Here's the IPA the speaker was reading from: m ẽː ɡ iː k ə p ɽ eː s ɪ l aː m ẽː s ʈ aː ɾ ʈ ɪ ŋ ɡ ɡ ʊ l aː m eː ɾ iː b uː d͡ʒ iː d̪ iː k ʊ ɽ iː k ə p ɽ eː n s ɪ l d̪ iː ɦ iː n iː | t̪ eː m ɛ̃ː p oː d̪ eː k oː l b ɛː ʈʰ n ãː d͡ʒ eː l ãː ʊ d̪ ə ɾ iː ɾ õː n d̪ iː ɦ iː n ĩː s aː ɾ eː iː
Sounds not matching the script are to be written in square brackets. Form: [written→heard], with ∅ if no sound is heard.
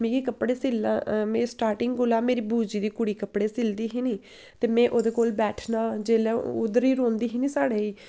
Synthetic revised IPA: m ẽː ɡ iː k ə p ɽ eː s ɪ l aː m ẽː s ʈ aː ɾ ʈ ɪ ŋ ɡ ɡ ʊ l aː m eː ɾ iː b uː d͡ʒ iː d̪ iː k ʊ ɽ iː k ə p ɽ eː [n→∅] s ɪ l d̪ iː ɦ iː n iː | t̪ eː m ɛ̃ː [p→ʔ] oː d̪ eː k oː l b ɛː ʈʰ n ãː d͡ʒ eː l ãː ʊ d̪ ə ɾ iː ɾ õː n d̪ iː ɦ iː n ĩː s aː [ɾ→ɽ] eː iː